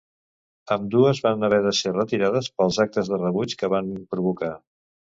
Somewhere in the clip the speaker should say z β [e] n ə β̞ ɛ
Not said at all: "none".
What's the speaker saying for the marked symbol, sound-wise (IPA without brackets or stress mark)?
a